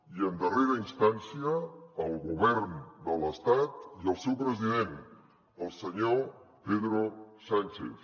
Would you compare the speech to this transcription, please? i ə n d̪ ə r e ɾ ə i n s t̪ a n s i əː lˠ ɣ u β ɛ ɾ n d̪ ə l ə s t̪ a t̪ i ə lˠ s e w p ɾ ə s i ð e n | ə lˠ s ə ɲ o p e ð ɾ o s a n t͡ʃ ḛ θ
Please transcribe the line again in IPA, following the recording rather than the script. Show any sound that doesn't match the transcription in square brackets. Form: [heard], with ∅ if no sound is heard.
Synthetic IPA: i ə n d̪ ə r e ɾ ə i n s t̪ a n s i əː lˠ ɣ u β ɛ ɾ n d̪ ə l ə s t̪ a t̪ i ə lˠ s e w p ɾ ə [z] i ð e n | ə lˠ s ə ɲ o p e ð ɾ o s a n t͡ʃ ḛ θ